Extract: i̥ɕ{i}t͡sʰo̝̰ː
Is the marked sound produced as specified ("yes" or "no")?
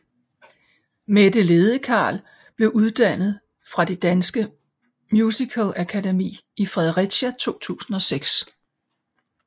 no